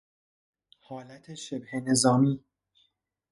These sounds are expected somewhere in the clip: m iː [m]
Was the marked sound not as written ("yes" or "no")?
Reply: yes